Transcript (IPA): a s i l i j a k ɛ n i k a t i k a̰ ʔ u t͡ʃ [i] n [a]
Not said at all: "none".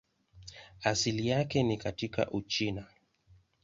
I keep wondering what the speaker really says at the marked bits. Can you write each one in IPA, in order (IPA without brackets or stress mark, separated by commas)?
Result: i, a